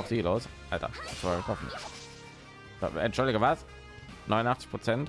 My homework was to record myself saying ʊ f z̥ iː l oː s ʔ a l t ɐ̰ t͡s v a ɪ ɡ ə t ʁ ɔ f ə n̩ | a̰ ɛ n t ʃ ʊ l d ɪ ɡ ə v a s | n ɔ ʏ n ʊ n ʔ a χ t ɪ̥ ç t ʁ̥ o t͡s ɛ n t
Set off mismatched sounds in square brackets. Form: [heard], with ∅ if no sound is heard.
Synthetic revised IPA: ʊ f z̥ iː l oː s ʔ a l t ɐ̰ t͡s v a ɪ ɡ ə t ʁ ɔ f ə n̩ | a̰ ɛ n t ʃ ʊ l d ɪ ɡ ə v a s | n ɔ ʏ n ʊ n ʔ a χ [t͡s] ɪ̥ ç [p] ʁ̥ o t͡s ɛ n t